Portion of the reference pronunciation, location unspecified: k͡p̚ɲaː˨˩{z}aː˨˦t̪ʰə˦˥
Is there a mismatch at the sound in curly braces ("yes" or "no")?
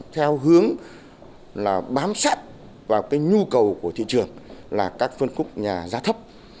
no